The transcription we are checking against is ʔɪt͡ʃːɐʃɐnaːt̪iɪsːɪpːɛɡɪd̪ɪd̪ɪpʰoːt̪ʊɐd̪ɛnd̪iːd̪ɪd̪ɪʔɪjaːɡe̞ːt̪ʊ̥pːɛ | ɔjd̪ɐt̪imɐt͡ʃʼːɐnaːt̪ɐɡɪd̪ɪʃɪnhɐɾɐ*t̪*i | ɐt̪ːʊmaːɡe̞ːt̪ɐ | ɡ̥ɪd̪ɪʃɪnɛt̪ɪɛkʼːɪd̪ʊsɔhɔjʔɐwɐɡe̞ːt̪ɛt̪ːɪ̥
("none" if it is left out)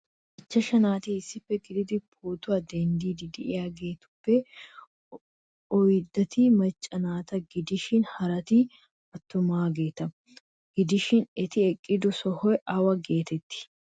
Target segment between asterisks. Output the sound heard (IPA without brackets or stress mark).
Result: t̪